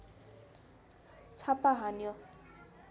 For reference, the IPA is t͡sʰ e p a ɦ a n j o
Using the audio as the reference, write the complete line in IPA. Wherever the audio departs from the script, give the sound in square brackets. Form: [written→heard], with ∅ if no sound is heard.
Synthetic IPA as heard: t͡sʰ [e→a] p a ɦ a n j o